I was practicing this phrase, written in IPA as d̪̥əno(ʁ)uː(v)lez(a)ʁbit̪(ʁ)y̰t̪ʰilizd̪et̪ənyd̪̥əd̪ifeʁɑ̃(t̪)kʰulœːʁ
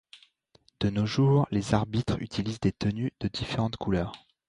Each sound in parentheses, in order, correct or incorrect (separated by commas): incorrect, incorrect, correct, incorrect, correct